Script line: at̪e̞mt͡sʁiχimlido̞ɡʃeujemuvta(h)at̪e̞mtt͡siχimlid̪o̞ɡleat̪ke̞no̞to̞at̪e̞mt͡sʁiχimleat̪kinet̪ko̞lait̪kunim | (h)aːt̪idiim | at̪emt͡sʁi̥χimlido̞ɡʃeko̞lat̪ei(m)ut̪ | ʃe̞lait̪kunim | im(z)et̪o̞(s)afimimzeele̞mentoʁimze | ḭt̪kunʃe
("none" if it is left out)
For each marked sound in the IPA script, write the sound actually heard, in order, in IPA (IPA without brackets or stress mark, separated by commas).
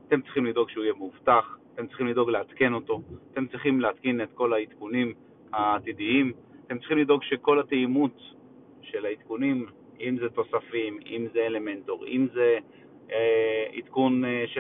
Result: χ, h, m, z, s